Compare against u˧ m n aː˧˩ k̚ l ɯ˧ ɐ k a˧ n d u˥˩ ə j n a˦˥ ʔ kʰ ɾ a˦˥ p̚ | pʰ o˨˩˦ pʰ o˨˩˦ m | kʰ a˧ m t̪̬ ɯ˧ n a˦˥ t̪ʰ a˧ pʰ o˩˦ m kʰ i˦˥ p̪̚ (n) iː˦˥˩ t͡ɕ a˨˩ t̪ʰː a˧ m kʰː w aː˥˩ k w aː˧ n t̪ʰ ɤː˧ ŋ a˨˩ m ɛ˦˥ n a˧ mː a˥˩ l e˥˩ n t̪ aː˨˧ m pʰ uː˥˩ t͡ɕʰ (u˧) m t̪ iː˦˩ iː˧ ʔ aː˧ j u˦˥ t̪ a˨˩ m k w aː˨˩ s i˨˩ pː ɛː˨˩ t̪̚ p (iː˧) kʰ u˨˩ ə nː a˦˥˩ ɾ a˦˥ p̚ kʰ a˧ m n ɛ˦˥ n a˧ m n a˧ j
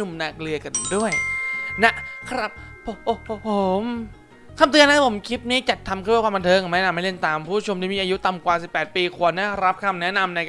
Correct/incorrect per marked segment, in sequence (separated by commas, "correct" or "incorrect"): correct, incorrect, correct